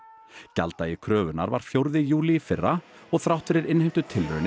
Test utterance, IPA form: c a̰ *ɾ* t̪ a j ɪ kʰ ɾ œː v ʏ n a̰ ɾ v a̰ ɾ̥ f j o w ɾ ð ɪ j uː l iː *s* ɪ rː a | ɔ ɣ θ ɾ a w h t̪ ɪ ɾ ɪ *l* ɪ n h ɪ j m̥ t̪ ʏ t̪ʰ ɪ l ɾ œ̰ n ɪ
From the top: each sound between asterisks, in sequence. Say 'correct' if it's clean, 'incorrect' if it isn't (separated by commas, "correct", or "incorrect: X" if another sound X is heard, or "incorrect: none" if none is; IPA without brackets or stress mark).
incorrect: l, incorrect: f, incorrect: ɾ